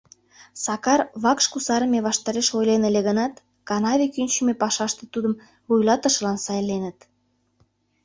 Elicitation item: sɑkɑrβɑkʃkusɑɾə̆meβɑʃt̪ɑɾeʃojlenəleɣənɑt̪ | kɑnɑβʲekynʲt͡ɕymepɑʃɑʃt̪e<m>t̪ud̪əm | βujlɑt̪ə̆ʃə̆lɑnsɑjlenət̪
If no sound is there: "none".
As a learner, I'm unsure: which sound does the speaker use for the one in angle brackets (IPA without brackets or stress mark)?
none